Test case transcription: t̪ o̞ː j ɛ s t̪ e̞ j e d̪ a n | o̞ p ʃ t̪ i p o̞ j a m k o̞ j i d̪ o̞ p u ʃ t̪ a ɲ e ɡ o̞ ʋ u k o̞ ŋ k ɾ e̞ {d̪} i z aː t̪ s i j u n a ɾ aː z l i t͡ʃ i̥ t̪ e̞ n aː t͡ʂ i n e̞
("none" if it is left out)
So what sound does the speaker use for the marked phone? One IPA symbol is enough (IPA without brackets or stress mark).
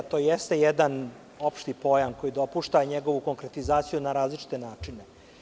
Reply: t̪